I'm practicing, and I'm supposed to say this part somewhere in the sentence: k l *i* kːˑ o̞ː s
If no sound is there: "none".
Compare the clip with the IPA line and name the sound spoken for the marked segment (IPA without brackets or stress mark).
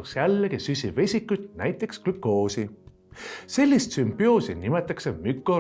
y